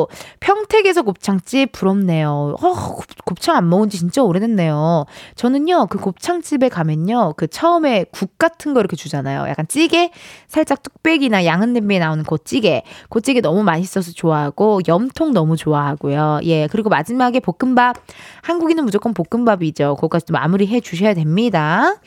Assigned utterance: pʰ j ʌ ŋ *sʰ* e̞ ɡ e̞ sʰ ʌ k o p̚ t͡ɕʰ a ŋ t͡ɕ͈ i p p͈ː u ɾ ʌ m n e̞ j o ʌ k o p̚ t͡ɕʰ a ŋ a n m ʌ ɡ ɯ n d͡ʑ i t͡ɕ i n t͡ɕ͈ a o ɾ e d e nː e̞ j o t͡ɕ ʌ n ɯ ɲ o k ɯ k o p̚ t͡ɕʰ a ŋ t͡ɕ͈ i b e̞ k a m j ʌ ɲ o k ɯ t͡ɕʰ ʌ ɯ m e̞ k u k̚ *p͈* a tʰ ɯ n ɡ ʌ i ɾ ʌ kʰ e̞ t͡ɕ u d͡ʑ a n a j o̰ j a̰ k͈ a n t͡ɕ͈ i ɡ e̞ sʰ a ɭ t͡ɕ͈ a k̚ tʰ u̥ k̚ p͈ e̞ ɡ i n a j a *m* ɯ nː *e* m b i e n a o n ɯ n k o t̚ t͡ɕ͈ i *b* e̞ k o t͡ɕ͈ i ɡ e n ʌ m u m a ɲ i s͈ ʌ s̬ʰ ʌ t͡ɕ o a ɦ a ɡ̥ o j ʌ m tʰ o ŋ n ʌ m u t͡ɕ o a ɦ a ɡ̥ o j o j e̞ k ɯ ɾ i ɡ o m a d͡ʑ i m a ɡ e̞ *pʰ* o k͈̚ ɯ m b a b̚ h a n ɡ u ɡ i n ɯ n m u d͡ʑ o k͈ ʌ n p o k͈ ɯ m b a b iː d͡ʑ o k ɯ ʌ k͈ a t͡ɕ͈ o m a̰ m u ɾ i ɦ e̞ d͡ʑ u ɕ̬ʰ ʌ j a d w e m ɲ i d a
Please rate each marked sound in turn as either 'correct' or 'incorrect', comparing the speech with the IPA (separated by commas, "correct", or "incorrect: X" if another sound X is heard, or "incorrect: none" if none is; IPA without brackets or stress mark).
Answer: incorrect: tʰ, incorrect: k͈, incorrect: ŋ, correct, incorrect: ɡ, incorrect: p